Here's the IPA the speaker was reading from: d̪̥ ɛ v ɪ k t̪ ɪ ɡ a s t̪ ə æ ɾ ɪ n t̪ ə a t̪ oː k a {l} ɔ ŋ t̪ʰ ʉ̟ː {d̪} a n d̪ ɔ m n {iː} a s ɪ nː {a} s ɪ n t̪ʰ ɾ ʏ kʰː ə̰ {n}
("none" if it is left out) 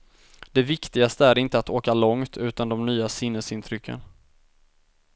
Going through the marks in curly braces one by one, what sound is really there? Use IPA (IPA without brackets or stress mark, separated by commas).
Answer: l, t̪, yː, ə, n